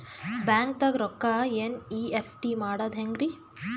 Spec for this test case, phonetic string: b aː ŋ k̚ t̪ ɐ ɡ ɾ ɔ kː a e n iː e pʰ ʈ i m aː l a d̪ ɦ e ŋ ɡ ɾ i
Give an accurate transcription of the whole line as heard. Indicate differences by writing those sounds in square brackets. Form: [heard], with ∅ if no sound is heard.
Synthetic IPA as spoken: b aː ŋ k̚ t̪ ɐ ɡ ɾ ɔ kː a e n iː e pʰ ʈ i m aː [ɽ] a d̪ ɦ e ŋ ɡ ɾ i